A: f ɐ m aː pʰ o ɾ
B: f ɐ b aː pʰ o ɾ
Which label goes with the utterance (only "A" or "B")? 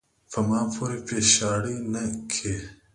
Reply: A